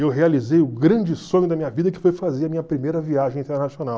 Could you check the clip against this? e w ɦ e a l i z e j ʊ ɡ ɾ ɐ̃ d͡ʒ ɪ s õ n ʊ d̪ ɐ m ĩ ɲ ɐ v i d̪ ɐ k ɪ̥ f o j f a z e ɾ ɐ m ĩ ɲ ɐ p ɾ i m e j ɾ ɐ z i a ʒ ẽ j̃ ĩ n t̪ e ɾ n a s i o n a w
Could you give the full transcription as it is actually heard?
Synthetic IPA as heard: e w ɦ e a l i z e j ʊ ɡ ɾ ɐ̃ d͡ʒ ɪ s õ ɲ ʊ d̪ ɐ m ĩ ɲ ɐ v i d̪ ɐ k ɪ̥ f o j f a z e ɾ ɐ m ĩ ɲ ɐ p ɾ i m e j ɾ ɐ v i a ʒ ẽ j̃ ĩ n t̪ e ɾ n a s i o n a w